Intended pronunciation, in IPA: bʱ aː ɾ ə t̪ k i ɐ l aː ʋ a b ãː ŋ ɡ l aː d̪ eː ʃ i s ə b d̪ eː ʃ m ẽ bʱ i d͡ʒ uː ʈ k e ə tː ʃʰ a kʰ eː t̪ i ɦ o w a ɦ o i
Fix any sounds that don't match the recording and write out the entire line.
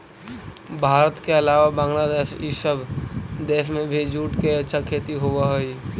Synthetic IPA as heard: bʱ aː ɾ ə t̪ k e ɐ l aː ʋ a b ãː ŋ ɡ l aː d̪ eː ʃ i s ə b d̪ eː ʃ m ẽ bʱ i d͡ʒ uː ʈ k e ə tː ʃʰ a kʰ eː t̪ i ɦ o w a ɦ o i